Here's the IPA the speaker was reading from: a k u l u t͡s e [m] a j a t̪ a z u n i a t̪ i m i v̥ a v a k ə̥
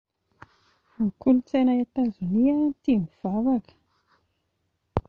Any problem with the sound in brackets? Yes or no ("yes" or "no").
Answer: yes